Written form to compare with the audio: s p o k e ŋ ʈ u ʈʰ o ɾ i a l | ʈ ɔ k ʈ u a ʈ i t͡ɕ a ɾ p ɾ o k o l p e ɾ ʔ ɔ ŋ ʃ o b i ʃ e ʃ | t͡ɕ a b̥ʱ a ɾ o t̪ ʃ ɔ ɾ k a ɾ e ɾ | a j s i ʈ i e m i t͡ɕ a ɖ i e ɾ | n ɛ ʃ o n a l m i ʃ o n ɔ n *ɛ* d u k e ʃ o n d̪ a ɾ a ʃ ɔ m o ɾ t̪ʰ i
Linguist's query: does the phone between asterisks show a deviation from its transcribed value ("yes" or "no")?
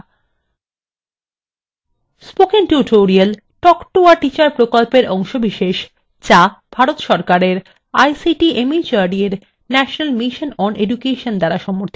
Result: yes